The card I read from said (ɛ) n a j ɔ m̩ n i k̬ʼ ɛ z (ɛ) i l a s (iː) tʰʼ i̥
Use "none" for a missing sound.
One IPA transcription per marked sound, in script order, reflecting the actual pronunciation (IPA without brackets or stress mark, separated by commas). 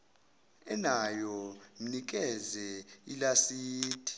ɛ, ɛ, iː